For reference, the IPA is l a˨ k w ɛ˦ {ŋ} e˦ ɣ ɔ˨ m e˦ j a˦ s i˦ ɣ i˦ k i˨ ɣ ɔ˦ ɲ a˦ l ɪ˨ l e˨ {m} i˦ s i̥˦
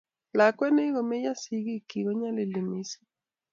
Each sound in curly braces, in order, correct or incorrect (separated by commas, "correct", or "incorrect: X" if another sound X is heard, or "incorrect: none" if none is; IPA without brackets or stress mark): incorrect: n, correct